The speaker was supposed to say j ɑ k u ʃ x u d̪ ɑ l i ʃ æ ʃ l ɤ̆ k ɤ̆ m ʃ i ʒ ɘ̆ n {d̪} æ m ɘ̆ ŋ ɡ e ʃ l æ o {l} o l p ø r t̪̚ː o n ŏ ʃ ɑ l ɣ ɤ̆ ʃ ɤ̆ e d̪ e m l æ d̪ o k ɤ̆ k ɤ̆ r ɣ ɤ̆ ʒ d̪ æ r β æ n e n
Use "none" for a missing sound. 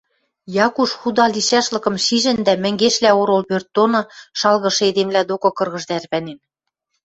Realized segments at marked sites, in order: d̪, ɾ

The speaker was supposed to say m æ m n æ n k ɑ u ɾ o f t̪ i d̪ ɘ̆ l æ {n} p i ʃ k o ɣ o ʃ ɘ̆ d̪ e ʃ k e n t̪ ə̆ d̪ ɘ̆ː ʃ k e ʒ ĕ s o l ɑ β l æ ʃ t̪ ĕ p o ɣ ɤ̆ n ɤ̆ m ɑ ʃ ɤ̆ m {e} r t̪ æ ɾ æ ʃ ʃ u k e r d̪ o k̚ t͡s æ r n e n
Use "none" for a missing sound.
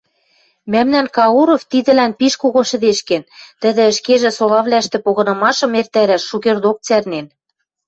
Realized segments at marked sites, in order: n, e

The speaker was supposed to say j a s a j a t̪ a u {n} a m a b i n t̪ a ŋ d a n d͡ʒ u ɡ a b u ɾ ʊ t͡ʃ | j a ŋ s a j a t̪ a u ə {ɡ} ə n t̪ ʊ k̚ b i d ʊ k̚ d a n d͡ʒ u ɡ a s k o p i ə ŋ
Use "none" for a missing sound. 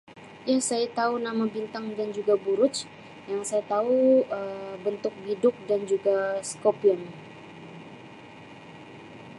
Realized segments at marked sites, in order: n, b

